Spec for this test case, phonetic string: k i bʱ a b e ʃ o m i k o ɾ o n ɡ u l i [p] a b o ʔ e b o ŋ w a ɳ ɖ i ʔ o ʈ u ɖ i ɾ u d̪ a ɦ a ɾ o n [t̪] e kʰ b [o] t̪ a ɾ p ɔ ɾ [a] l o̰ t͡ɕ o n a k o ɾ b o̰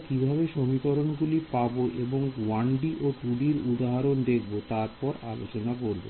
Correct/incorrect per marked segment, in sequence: correct, incorrect, correct, correct

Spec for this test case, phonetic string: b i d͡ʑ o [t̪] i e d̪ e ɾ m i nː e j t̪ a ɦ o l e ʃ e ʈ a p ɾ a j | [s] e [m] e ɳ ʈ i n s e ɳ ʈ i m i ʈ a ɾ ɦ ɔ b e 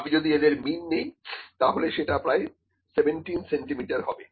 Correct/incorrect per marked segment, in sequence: incorrect, correct, incorrect

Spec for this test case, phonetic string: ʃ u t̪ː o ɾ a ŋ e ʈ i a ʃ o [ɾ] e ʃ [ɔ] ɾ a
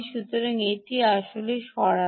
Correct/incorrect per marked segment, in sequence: incorrect, correct

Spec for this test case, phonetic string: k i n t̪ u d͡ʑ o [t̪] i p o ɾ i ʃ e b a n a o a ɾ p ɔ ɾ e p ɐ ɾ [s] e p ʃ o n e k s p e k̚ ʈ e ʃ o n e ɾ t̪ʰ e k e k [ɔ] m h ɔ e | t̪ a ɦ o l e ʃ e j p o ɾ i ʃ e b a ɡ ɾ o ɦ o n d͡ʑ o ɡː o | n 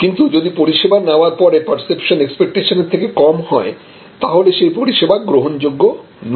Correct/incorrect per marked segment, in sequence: incorrect, correct, correct

